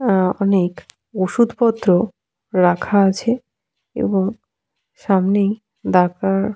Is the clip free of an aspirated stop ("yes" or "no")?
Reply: no